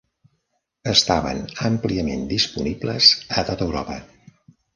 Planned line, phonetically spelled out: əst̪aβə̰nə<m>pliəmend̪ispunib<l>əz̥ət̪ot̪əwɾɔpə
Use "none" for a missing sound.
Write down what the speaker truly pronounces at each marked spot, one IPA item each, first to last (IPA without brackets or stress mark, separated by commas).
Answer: m, l